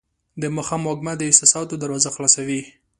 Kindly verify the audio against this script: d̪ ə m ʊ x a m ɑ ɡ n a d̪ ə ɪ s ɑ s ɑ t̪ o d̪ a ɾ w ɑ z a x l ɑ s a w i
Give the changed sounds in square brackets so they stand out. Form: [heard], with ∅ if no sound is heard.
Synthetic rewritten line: d̪ ə m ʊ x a m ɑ ɡ [m] a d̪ ə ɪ s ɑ s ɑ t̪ o d̪ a ɾ w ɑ z a x l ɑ s a w i